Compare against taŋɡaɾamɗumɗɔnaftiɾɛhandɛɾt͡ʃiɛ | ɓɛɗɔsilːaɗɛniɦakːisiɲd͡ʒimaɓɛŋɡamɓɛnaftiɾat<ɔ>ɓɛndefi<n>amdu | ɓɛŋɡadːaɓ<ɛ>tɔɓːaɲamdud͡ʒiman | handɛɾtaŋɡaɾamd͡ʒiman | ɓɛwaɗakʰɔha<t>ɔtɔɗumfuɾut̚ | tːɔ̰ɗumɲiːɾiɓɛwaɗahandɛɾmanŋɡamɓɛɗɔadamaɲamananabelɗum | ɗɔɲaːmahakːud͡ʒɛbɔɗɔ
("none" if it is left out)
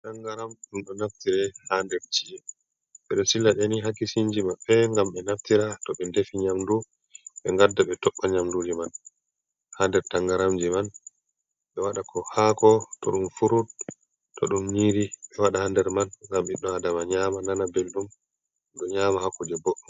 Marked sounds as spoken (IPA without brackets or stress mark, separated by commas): ɔ, ɲ, ɛ, k